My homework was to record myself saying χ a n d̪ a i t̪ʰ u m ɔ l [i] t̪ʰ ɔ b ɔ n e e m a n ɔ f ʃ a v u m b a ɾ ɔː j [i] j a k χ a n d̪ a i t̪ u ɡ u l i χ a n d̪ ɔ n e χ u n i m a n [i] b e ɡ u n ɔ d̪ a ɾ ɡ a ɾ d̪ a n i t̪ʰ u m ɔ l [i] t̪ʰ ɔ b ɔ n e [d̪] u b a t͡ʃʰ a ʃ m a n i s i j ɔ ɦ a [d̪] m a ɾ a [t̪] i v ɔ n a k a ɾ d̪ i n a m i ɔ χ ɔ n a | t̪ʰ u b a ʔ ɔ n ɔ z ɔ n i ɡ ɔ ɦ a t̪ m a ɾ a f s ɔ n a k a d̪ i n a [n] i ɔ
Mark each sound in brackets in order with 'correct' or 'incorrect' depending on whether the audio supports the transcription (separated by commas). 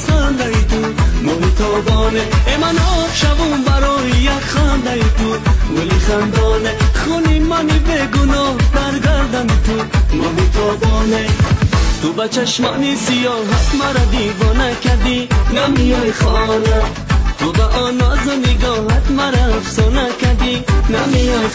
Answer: correct, correct, correct, correct, incorrect, incorrect, incorrect, incorrect